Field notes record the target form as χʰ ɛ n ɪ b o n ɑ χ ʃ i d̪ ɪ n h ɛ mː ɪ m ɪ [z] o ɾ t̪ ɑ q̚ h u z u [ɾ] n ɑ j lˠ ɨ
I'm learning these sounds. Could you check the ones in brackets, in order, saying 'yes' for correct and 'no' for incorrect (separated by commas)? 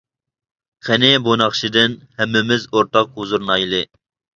yes, yes